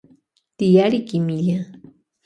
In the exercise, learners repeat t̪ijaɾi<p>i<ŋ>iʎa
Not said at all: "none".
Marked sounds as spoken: k, m

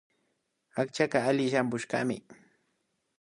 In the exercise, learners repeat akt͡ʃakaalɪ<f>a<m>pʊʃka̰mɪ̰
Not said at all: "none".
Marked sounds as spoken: ʃ, m

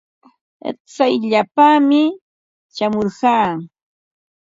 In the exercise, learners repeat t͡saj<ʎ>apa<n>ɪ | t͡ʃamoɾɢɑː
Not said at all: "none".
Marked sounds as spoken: ʎ, m

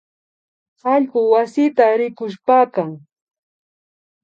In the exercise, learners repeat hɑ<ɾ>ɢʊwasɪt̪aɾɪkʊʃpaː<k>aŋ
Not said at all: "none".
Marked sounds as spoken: ʎ, k

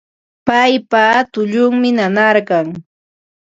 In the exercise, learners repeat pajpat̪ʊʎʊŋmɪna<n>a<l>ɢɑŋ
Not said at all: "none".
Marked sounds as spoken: n, ɾ

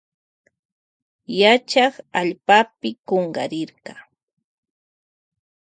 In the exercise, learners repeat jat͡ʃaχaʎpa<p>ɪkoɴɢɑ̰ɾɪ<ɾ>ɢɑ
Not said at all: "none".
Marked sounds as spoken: p, ɾ

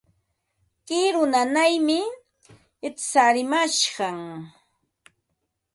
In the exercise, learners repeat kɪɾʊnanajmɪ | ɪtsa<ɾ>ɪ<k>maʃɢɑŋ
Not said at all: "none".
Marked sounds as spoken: ɾ, none

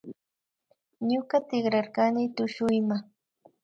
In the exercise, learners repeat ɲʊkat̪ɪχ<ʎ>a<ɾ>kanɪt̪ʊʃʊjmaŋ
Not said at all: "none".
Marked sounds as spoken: ɾ, ɾ

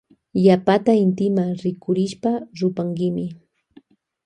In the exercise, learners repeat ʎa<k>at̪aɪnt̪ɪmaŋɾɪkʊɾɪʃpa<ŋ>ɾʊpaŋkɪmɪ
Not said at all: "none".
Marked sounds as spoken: p, none

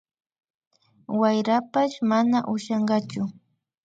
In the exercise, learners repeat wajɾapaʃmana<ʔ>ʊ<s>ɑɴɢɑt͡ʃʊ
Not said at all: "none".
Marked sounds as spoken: ʔ, ʃ

